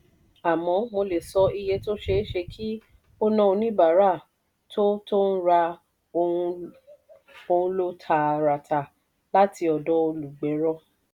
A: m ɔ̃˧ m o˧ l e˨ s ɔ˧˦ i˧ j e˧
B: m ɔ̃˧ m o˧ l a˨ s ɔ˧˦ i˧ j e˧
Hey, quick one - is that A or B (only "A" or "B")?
A